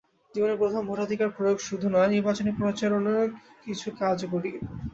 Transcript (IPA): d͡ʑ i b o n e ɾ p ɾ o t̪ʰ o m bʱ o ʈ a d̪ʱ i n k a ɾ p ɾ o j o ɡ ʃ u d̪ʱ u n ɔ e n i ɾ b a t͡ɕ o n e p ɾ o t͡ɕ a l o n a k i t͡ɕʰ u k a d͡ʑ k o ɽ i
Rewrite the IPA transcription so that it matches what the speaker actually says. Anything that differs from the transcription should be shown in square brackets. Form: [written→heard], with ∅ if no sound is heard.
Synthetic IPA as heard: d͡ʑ i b o n e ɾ p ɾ o t̪ʰ o m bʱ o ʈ a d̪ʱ i [n→∅] k a ɾ p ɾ o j o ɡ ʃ u d̪ʱ u n ɔ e n i ɾ b a t͡ɕ o n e p ɾ o t͡ɕ a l o n a k i t͡ɕʰ u k a d͡ʑ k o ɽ i